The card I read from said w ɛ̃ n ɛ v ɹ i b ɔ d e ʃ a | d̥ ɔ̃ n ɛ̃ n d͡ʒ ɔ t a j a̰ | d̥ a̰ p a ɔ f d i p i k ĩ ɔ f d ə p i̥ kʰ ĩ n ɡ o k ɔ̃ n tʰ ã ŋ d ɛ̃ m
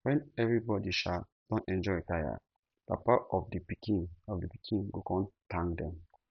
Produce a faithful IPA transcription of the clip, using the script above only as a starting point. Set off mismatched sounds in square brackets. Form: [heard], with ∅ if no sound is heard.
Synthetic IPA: w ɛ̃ n ɛ v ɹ i b ɔ d [i] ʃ a | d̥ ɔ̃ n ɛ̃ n d͡ʒ ɔ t a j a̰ | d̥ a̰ p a ɔ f d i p i k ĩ ɔ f d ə p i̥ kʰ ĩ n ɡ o k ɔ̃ n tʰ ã ŋ d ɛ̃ m